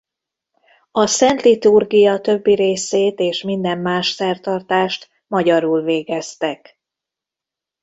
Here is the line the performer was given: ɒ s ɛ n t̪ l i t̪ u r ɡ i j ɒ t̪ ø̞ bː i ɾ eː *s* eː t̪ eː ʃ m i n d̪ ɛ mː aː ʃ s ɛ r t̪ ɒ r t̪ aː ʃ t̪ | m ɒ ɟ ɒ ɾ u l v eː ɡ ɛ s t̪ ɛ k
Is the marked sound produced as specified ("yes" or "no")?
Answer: yes